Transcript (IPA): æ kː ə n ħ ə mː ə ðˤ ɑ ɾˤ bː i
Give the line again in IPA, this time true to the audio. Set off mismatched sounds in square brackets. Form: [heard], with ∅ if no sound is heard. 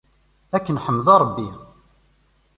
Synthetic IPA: æ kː ə n ħ ə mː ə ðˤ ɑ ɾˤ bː i